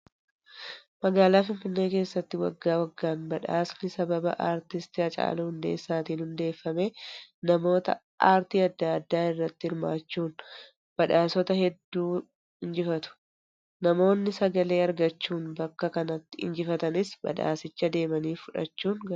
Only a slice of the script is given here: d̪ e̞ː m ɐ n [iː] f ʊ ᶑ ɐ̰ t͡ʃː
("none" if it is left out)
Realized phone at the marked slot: iː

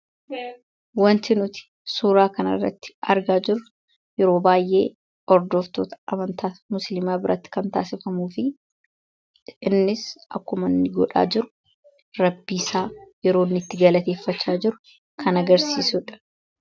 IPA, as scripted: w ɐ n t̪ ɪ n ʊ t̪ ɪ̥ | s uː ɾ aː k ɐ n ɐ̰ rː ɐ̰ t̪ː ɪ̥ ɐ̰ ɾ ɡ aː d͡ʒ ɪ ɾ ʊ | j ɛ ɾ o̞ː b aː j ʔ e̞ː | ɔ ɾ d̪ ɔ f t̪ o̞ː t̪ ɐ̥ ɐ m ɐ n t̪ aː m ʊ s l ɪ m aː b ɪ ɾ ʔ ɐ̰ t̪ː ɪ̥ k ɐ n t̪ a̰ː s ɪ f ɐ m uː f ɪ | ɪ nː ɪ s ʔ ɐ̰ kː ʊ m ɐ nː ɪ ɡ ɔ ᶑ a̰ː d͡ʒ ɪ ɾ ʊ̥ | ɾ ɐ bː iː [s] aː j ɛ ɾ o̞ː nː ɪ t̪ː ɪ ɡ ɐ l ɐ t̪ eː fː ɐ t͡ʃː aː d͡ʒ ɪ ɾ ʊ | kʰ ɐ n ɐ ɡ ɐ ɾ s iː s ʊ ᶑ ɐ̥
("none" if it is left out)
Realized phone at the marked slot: s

